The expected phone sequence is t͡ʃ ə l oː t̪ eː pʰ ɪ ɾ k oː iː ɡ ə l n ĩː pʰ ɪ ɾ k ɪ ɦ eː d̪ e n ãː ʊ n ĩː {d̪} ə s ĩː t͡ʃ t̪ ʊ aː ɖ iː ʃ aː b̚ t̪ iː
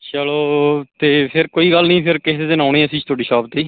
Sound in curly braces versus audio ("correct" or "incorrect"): incorrect